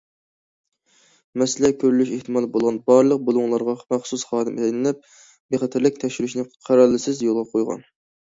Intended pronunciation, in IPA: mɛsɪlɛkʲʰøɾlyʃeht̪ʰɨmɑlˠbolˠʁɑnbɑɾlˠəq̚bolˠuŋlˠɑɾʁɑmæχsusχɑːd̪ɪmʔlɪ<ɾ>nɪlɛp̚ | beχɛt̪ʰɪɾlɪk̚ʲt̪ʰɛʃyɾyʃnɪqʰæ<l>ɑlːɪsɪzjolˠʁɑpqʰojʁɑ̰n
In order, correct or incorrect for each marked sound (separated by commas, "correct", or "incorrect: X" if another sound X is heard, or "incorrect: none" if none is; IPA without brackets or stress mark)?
incorrect: none, incorrect: ɾ